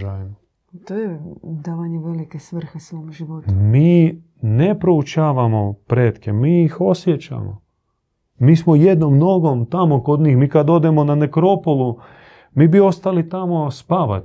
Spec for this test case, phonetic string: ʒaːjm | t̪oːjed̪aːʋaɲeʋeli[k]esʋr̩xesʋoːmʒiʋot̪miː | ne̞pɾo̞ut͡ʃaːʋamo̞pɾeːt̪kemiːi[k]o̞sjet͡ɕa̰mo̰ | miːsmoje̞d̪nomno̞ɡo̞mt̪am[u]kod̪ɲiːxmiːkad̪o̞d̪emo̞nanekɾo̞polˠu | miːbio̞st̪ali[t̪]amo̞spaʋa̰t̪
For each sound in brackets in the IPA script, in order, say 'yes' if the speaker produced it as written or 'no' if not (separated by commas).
yes, no, no, yes